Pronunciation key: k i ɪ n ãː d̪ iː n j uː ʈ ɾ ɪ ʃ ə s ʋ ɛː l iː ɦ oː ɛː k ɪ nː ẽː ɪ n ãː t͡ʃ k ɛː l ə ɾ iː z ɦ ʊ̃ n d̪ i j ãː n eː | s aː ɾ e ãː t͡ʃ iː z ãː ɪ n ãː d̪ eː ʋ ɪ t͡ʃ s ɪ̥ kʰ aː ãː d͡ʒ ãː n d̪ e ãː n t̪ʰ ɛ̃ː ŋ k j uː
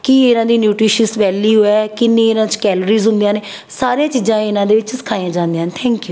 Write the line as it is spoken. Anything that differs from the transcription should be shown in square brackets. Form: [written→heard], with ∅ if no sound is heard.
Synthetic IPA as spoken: k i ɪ n ãː d̪ iː n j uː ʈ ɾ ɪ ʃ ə s ʋ ɛː l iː ɦ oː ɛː k ɪ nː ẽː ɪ n ãː t͡ʃ k ɛː l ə ɾ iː z ɦ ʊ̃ n d̪ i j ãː n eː | s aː ɾ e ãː t͡ʃ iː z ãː ɪ n ãː d̪ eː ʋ ɪ t͡ʃ s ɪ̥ kʰ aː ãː d͡ʒ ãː n d̪ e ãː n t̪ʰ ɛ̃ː ŋ k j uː